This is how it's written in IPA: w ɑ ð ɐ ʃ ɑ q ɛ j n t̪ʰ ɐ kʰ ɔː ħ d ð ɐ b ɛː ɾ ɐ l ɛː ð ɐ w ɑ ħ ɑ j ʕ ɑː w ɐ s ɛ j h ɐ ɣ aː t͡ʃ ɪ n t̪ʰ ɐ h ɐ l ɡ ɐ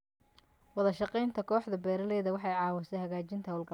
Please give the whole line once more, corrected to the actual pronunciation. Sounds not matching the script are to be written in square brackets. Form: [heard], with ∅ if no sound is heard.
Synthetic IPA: w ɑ ð ɐ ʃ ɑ q ɛ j n t̪ʰ ɐ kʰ ɔː ħ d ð ɐ b ɛː ɾ ɐ l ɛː ð ɐ w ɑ ħ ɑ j ʕ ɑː w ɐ s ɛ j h ɐ ɣ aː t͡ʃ ɪ n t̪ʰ ɐ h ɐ l ɡ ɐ